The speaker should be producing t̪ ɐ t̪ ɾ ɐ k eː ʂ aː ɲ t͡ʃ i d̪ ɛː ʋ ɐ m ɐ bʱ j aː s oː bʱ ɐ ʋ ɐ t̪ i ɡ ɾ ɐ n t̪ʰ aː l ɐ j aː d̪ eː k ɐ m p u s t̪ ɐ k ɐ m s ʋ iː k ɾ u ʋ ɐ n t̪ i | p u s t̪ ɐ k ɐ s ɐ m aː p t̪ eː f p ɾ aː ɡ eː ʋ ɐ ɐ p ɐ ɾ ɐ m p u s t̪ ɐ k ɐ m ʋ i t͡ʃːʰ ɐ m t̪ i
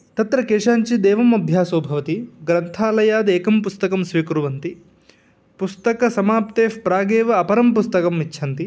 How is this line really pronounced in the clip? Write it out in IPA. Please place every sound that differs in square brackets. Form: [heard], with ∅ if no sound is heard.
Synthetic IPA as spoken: t̪ ɐ t̪ ɾ ɐ k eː ʂ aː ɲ t͡ʃ i d̪ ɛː ʋ ɐ m ɐ bʱ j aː s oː bʱ ɐ ʋ ɐ t̪ i ɡ ɾ ɐ n t̪ʰ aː l ɐ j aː d̪ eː k ɐ m p u s t̪ ɐ k ɐ m s ʋ iː k ɾ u ʋ ɐ n t̪ i | p u s t̪ ɐ k ɐ s ɐ m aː p t̪ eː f p ɾ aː ɡ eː ʋ ɐ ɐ p ɐ ɾ ɐ m p u s t̪ ɐ k ɐ m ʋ i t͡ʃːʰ ɐ [n] t̪ i